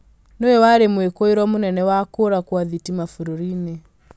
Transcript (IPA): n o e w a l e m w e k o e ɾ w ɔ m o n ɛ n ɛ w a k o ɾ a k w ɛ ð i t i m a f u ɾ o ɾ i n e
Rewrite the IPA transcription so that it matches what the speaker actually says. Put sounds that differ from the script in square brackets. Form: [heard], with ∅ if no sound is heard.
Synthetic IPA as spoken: n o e w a [ɾ] e m w e k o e ɾ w ɔ m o n ɛ n ɛ w a k o ɾ a k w [a] ð i t i m a f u ɾ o ɾ i n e